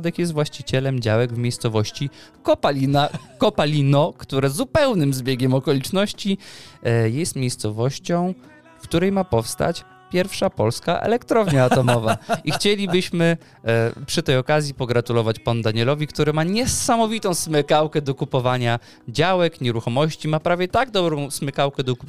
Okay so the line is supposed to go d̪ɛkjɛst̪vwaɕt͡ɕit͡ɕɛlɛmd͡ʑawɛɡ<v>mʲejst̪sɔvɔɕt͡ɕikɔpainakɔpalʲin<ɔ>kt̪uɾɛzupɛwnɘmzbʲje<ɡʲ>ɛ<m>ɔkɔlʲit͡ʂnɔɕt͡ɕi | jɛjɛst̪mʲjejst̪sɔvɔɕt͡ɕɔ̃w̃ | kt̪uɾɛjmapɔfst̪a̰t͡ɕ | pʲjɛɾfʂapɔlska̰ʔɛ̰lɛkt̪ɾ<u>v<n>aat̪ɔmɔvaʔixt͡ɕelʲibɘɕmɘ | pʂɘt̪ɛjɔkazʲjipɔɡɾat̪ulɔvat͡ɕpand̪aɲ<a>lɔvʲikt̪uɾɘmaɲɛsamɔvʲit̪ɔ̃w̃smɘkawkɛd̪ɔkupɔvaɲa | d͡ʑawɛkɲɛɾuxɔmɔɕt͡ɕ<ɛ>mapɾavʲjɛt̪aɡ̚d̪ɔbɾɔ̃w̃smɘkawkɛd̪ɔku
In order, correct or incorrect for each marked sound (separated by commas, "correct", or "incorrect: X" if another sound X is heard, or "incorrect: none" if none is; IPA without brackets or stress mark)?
correct, correct, correct, correct, incorrect: ɔ, incorrect: ɲ, incorrect: ɛ, incorrect: i